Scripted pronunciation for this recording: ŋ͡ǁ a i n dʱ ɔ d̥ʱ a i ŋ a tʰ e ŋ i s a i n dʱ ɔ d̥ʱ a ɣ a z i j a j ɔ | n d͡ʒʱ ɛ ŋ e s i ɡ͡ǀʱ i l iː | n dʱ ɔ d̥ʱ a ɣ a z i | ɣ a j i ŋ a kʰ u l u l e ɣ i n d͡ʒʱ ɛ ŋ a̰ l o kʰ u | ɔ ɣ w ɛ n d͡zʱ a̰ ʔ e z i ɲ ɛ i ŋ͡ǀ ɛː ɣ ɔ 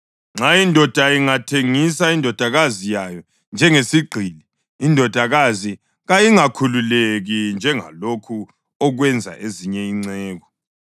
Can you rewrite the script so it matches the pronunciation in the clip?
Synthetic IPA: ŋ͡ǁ a i n dʱ ɔ d̥ʱ a i ŋ a tʰ e ŋ i s a i n dʱ ɔ d̥ʱ a ɣ a z i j a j ɔ | n d͡ʒʱ ɛ ŋ e s i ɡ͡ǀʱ i l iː | n dʱ ɔ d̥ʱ a ɣ a z i | ɣ a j i ŋ a kʰ u l u l e ɣ i n d͡ʒʱ ɛ ŋ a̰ l o kʰ u | ɔ ɣ w ɛ n d͡zʱ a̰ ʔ e z i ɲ ɛ i ŋ͡ǀ ɛː ɣ ɔ